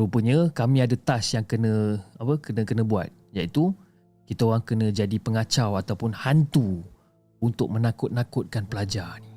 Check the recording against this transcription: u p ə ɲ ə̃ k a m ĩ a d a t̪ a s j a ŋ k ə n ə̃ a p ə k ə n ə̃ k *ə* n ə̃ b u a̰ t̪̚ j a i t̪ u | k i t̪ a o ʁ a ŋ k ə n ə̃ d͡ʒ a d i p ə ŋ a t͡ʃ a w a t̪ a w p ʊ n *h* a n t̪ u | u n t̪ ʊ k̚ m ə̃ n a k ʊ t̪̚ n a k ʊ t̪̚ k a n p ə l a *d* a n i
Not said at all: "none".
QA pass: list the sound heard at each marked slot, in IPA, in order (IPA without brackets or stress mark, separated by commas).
ə, h, d͡ʒ